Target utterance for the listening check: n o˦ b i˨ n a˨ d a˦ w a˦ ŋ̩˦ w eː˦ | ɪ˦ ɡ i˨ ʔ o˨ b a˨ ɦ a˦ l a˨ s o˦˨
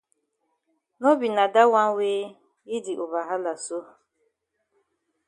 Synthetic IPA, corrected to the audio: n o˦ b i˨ n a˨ d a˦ w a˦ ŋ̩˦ w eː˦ | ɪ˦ d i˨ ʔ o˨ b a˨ ɦ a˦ l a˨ s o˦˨